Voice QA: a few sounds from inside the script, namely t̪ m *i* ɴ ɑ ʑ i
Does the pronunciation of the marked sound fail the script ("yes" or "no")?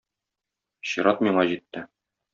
no